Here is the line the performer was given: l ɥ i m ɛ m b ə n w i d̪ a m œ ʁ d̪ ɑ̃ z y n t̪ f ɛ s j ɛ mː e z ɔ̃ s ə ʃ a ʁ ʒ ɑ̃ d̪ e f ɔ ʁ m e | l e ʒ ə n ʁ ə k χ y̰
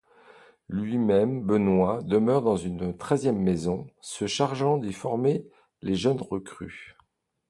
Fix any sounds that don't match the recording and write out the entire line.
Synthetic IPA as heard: l ɥ i m ɛ m b ə n w a d̪ ə m œ ʁ d̪ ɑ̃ z y n t̪ χ ɛ z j ɛ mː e z ɔ̃ s ə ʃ a ʁ ʒ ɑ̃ d̪ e f ɔ ʁ m e | l e ʒ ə n ʁ ə k χ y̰